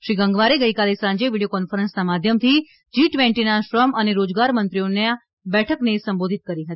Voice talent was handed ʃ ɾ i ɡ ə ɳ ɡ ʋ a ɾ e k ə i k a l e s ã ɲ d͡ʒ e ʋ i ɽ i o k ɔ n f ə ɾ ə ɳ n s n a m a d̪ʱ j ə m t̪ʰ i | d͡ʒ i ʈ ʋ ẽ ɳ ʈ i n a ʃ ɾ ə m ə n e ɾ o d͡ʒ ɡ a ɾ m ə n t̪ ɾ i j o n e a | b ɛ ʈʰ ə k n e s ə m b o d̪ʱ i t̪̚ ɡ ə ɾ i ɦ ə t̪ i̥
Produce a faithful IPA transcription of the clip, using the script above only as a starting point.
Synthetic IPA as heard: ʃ ɾ i ɡ ə ŋ ɡ ʋ a ɾ e ɡ ə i k a l e s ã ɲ d͡ʒ e ʋ i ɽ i o k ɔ n f ə ɾ ə n s n a m a d̪ʱ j ə m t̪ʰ i | d͡ʒ i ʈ ʋ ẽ ɳ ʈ i n a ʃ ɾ ə m ə n e ɾ o d͡ʒ ɡ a ɾ m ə n t̪ ɾ i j o n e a | b ɛ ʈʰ ə k n e s ə m b o d̪ʱ i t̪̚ k ə ɾ i ɦ ə t̪ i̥